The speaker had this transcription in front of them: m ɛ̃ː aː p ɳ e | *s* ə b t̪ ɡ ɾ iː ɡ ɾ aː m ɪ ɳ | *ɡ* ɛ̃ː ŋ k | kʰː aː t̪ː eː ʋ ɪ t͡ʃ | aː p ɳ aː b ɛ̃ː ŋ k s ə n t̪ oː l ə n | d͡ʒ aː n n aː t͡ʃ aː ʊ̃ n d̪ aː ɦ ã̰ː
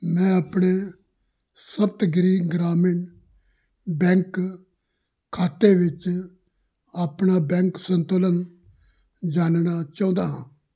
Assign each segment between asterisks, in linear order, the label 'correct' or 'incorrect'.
correct, incorrect

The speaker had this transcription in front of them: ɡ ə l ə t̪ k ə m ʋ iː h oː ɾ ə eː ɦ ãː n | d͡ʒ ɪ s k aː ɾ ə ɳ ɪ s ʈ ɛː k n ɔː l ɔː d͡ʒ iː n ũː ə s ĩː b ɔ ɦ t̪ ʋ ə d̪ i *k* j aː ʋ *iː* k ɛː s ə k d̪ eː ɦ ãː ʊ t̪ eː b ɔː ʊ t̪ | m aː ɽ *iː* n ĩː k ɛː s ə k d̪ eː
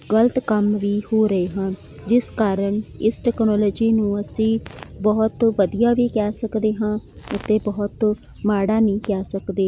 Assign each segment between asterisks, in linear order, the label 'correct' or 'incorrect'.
incorrect, correct, incorrect

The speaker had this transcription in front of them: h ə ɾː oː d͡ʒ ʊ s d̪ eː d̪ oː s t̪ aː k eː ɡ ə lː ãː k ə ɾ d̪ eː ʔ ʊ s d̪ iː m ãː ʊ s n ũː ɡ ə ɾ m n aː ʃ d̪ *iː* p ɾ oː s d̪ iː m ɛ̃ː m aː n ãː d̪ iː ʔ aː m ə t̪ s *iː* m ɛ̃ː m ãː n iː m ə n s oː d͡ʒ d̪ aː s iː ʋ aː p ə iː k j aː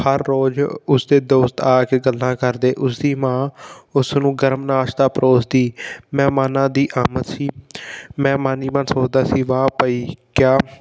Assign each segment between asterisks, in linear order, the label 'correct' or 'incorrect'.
incorrect, correct

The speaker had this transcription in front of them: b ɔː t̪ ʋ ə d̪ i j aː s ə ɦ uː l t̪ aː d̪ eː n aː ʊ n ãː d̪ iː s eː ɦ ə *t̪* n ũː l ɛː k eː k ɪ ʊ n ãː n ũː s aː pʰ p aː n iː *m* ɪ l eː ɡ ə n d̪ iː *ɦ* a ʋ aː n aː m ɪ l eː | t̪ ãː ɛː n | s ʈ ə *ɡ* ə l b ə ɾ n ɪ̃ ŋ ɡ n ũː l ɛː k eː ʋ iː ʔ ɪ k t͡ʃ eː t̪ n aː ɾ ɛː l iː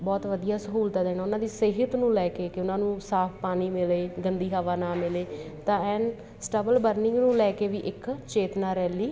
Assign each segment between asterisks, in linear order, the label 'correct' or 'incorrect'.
correct, correct, correct, incorrect

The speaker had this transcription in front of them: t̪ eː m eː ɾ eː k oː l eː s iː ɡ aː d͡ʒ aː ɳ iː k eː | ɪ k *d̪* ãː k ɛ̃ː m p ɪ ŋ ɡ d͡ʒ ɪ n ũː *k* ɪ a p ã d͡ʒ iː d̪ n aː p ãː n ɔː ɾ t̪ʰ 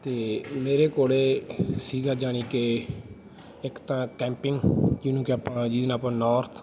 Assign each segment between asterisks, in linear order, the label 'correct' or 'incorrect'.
incorrect, correct

